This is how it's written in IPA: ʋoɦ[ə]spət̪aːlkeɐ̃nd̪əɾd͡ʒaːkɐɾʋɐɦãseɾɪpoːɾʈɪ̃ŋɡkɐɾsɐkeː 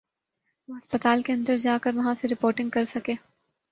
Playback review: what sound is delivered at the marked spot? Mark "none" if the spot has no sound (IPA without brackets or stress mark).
ɐ